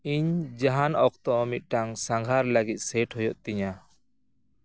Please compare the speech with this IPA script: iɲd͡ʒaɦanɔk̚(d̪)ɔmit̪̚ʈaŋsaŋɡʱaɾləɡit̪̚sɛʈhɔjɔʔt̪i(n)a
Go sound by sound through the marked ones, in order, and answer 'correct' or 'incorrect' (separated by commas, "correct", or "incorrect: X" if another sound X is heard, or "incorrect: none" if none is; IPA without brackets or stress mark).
incorrect: t̪, incorrect: ɲ